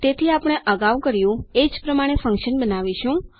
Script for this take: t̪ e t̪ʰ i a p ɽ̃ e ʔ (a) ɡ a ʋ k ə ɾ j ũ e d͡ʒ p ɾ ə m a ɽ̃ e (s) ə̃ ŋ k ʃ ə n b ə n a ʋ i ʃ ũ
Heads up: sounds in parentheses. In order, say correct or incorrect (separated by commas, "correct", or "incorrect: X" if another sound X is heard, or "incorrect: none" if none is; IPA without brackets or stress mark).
incorrect: ə, incorrect: f